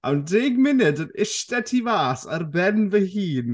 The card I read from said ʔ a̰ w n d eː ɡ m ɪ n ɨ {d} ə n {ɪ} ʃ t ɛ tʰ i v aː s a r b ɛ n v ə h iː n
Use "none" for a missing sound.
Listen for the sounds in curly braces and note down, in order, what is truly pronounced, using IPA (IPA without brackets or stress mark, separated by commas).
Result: d, ɪ